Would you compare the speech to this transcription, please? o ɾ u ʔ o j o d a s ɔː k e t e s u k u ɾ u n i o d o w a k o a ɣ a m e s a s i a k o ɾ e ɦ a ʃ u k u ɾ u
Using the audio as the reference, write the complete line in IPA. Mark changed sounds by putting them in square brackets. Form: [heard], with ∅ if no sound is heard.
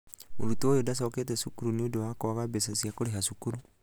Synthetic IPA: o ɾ u [t] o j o d a s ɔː k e t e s u k u ɾ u n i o d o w a k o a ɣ a [b] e s a s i a k o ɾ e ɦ a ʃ u k u ɾ u